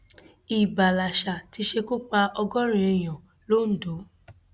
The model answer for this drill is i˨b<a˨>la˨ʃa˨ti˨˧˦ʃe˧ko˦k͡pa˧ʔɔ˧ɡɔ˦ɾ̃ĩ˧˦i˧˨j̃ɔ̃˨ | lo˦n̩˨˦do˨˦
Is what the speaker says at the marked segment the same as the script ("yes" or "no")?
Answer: yes